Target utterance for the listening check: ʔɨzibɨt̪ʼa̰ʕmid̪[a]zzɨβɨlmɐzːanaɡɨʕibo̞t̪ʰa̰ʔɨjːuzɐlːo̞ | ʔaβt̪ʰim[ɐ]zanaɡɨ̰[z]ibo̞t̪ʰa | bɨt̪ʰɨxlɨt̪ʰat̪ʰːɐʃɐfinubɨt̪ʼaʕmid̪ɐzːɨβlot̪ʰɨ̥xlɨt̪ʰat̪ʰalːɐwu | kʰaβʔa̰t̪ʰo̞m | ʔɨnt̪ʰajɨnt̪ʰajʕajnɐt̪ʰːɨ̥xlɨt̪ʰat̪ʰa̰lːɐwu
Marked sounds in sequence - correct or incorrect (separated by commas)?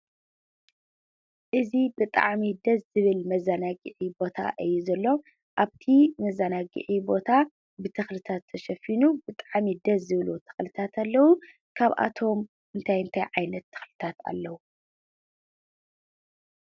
incorrect, correct, incorrect